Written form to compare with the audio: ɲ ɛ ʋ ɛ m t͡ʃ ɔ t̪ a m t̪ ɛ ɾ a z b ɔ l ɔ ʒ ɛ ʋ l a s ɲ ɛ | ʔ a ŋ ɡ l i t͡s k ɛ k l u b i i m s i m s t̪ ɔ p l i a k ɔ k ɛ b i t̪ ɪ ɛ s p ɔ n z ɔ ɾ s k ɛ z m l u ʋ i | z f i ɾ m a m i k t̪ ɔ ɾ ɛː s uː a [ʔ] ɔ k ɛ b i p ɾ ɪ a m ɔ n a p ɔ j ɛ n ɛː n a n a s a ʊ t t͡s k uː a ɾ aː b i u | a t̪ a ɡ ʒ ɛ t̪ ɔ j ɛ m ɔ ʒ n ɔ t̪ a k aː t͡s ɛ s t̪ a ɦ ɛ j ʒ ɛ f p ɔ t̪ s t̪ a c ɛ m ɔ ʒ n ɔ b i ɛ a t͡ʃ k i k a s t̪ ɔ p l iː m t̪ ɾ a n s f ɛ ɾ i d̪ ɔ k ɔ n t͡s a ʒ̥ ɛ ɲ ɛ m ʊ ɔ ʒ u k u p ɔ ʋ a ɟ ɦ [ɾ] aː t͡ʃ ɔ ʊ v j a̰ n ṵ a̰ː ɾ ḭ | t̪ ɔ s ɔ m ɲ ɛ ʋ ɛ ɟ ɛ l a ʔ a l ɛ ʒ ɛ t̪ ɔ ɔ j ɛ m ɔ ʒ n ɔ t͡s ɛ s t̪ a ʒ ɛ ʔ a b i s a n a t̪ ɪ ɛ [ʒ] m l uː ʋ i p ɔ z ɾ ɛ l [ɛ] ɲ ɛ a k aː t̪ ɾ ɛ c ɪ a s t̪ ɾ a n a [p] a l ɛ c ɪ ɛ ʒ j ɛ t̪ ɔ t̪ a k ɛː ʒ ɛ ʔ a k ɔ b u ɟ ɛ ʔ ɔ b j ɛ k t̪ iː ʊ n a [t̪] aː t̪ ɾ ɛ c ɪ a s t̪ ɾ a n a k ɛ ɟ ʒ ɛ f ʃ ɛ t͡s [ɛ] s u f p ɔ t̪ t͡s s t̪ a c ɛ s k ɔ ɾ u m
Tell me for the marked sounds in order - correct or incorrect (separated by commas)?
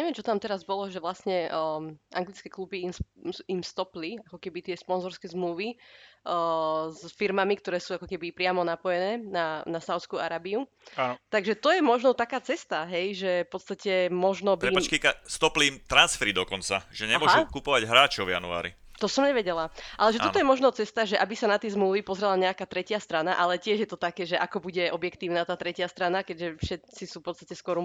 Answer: incorrect, correct, incorrect, incorrect, incorrect, correct, incorrect